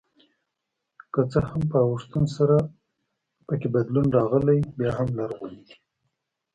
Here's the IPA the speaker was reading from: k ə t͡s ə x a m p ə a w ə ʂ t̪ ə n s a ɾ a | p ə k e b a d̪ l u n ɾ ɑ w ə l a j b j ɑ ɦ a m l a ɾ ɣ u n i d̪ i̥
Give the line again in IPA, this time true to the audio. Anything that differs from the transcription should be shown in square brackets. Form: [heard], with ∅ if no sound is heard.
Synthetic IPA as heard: k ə t͡s ə [h] a m p ə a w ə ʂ t̪ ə n s a ɾ a | p ə k e b a d̪ l u n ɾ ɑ [ɣ] ə l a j b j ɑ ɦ a m l a ɾ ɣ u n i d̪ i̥

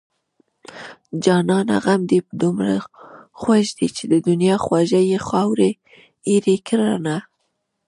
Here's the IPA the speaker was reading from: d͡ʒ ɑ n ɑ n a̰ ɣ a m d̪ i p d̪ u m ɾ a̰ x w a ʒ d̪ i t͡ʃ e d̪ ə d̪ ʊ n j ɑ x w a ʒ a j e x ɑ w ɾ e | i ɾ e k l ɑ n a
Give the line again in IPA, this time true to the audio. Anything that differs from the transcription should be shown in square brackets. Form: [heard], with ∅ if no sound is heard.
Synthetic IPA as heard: d͡ʒ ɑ n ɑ n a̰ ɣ a m d̪ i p d̪ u m ɾ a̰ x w a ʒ d̪ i t͡ʃ e d̪ ə d̪ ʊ n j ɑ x w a ʒ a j e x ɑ w ɾ e | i ɾ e k [ɾ] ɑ n a

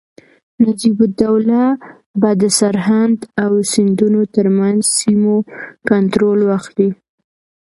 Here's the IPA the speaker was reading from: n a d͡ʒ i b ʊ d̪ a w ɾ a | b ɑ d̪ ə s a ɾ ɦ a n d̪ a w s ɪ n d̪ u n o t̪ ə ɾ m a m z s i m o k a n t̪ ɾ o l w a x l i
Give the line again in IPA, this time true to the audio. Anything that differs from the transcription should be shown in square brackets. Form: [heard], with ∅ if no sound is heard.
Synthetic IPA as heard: n a d͡ʒ i b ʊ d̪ a w [l] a | b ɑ d̪ ə s a ɾ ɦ a n d̪ a w s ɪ n d̪ u n o t̪ ə ɾ m a [n] z s i m o k a n t̪ ɾ o l w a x l i

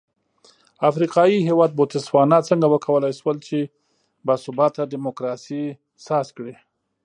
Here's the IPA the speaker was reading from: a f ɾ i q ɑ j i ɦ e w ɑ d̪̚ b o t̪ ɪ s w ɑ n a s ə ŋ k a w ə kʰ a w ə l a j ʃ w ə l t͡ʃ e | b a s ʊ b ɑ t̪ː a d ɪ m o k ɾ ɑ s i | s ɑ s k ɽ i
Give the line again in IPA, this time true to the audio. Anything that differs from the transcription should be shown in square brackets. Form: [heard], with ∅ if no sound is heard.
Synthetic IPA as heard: a f ɾ i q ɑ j i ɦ e w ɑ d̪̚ b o t̪ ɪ s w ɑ n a [t͡s] ə ŋ [ɡ] a w ə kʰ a w ə l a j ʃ w ə l t͡ʃ e | b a s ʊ b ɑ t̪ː a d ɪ m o k ɾ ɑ s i | s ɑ s k ɽ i

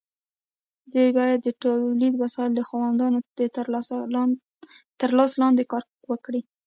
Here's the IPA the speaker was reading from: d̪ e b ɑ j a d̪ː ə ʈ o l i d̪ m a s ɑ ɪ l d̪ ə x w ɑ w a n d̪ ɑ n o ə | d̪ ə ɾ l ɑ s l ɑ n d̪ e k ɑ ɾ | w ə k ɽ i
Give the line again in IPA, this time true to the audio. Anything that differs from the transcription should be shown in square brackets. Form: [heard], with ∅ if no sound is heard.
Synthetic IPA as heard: d̪ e b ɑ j a d̪ː ə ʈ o l i d̪ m a s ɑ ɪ l d̪ ə x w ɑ w a n d̪ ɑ n o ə | [t̪] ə ɾ l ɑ s l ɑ n d̪ e k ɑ ɾ | w ə k ɽ i

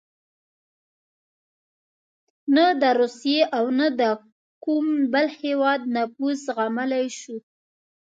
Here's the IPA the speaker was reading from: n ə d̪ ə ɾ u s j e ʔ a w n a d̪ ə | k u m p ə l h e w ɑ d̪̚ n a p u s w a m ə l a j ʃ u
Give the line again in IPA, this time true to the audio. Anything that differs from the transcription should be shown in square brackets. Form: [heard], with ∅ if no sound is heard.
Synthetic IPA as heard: n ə d̪ ə ɾ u s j e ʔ a w n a d̪ ə | k u m [b] ə l h e w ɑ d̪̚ n a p u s [ɣ] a m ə l a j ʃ u

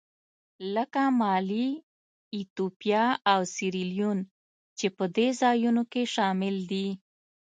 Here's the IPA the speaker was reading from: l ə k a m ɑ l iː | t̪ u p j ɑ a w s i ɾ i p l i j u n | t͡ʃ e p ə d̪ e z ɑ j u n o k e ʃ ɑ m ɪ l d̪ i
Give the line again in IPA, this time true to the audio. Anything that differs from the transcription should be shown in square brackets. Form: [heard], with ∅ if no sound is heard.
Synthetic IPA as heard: l ə k a m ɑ l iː | t̪ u p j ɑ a w s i ɾ i [∅] l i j u n | t͡ʃ e p ə d̪ e z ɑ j u n o k e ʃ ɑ m ɪ l d̪ i

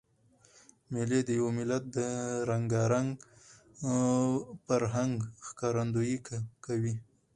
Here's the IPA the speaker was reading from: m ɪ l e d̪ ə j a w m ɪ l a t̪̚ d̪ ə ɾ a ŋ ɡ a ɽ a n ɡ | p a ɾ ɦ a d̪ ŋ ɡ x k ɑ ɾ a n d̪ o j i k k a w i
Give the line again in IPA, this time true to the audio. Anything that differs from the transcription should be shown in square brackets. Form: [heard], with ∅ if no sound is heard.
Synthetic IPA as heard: m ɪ l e d̪ ə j a w m ɪ l a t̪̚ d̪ ə ɾ a ŋ ɡ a [ɾ] a [ŋ] ɡ | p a ɾ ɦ a [∅] ŋ ɡ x k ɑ ɾ a n d̪ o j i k k a w i

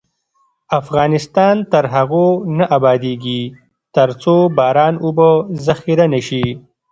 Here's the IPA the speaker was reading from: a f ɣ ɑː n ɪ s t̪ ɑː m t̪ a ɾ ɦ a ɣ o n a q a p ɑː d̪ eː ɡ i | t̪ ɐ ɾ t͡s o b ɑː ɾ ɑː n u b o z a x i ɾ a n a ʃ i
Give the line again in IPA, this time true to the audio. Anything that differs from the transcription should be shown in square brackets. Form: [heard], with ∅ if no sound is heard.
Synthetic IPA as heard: a f ɣ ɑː n ɪ s t̪ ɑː [n] t̪ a ɾ ɦ a ɣ o n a [ʔ] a [b] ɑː d̪ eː ɡ i | t̪ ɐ ɾ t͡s o b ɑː ɾ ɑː n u b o z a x i ɾ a n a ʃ i

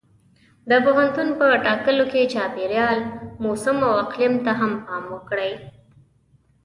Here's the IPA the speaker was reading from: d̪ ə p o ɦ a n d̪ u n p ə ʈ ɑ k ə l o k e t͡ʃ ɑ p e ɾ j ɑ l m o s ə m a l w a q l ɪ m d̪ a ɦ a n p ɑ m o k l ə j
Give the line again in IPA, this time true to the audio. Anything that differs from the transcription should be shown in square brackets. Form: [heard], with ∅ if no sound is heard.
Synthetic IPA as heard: d̪ ə p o ɦ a n [t̪] u n p ə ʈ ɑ k ə l o k e t͡ʃ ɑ p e ɾ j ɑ l m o s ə m a [∅] w a q l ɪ m [t̪] a ɦ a [m] p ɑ m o k [ɽ] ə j

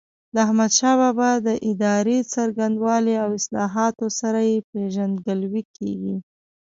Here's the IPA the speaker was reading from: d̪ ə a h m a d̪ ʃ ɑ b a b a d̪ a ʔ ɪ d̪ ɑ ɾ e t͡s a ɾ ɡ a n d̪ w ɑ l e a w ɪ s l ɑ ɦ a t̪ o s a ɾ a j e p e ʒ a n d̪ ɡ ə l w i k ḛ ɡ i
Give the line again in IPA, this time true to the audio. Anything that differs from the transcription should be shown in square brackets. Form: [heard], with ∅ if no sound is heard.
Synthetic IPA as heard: d̪ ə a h m a d̪ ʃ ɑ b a b a d̪ [ə] ʔ ɪ d̪ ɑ ɾ e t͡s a ɾ ɡ a n d̪ w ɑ l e a w ɪ s l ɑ ɦ [ɑ] t̪ o s a ɾ a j e p e ʒ a n d̪ ɡ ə l w i k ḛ ɡ i

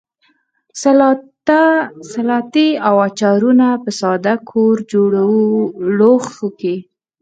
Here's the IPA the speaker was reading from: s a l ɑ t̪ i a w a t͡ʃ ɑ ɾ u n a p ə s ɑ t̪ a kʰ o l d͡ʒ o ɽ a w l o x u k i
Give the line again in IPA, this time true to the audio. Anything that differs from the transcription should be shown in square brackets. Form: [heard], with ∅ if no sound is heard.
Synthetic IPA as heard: s a l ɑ t̪ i a w a t͡ʃ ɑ ɾ u n a p ə s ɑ [d̪] a kʰ o [ɾ] d͡ʒ o ɽ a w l o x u k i

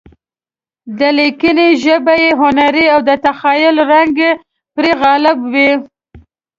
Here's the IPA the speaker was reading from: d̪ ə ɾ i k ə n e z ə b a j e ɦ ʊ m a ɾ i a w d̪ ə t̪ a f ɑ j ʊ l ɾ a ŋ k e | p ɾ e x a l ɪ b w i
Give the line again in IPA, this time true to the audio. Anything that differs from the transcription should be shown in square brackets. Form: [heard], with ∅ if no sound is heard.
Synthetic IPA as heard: d̪ ə [l] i k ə n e [ʒ] ə b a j e ɦ ʊ [n] a ɾ i a w d̪ ə t̪ a [x] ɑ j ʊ l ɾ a ŋ [ɡ] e | p ɾ e [ɣ] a l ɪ b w i

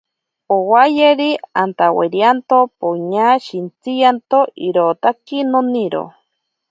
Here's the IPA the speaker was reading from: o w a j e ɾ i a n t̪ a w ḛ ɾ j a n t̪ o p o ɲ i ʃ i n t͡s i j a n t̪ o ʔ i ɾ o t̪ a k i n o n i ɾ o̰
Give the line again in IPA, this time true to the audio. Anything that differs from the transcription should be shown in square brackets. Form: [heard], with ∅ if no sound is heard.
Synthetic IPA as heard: o w a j e ɾ i a n t̪ a w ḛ ɾ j a n t̪ o p o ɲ [a] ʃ i n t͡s i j a n t̪ o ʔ i ɾ o t̪ a k i n o n i ɾ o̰

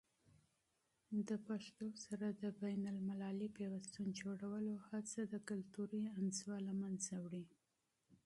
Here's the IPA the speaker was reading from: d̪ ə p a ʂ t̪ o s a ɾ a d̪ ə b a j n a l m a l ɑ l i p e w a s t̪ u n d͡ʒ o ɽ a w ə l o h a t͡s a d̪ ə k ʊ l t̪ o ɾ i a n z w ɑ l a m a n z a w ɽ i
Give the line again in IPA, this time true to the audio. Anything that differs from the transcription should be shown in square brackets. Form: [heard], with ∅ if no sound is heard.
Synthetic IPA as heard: d̪ ə p a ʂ t̪ o s a ɾ a d̪ ə b a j n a l m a l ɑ l i p e w a s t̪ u n d͡ʒ o ɽ a w ə l o h a t͡s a d̪ ə k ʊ l t̪ [u] ɾ i a n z w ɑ l a m a n z a w ɽ i

